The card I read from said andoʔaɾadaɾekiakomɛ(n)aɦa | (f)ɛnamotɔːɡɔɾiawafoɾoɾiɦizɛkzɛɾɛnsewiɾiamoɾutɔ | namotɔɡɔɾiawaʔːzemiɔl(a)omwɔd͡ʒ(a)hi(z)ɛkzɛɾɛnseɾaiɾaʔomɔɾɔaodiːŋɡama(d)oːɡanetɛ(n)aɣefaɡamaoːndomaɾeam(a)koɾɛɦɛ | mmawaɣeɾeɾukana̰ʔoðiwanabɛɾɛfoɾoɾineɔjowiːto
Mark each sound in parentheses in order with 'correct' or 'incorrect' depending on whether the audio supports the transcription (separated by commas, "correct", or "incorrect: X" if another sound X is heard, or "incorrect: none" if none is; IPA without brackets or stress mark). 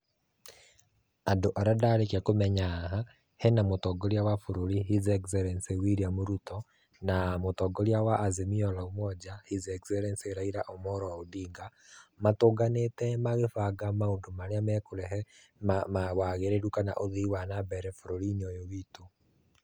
incorrect: ɲ, incorrect: h, correct, correct, correct, incorrect: t, incorrect: m, incorrect: ɛ